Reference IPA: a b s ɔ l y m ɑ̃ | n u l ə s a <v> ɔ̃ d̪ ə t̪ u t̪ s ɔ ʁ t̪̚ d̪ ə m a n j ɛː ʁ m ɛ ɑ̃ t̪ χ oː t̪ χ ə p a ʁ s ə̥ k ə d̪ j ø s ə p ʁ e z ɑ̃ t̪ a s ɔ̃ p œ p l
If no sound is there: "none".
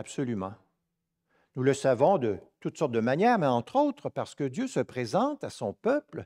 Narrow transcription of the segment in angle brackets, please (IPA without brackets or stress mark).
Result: v